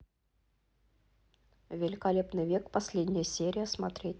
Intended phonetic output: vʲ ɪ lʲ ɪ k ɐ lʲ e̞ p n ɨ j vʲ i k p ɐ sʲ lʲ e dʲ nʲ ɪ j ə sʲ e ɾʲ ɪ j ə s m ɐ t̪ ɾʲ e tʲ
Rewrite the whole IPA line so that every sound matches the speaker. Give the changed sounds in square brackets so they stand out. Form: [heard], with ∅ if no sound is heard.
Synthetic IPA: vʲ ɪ lʲ ɪ k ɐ lʲ e̞ p n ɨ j vʲ [e] k p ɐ sʲ lʲ e dʲ nʲ ɪ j ə sʲ e ɾʲ ɪ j ə s m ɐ t̪ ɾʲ e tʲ